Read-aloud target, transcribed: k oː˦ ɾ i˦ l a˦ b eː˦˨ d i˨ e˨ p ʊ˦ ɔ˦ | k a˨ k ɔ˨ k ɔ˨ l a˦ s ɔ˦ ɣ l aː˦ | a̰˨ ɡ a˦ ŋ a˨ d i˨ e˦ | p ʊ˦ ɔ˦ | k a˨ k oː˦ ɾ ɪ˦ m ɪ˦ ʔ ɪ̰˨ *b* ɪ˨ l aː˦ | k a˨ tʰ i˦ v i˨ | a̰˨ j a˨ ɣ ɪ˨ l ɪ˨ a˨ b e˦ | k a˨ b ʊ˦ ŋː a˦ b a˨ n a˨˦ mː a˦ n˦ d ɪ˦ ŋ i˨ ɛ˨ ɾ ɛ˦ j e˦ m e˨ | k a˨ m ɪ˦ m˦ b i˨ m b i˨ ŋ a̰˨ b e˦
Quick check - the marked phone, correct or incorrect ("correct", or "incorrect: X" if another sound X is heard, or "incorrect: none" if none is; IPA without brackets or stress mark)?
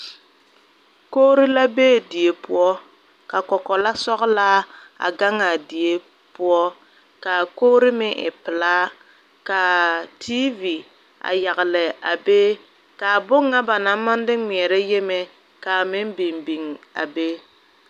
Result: incorrect: p